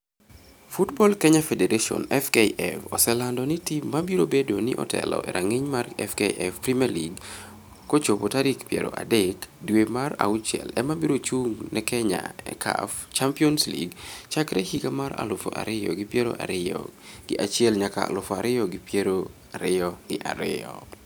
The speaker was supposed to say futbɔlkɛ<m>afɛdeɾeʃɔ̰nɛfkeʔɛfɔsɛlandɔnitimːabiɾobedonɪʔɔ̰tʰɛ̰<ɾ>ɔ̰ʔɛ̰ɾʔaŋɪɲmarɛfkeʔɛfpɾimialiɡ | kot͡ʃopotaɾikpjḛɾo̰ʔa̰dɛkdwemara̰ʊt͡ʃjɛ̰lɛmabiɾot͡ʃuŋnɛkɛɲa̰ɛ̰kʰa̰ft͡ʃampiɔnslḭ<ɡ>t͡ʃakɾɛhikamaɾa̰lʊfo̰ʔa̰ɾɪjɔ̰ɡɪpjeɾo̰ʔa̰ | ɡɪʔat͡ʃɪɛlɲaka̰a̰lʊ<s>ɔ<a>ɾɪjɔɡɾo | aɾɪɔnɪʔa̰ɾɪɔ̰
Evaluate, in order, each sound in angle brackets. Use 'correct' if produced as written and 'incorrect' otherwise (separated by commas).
incorrect, incorrect, correct, incorrect, correct